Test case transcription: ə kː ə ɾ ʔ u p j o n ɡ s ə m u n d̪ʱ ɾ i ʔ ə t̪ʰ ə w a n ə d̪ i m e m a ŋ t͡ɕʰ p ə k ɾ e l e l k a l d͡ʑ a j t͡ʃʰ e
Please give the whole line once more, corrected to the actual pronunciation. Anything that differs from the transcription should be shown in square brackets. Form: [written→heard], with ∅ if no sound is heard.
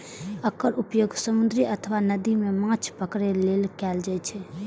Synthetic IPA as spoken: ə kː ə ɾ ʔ u p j o [n→∅] ɡ s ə m u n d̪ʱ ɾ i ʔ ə t̪ʰ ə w a n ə d̪ i m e m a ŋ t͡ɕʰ p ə k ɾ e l e l k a l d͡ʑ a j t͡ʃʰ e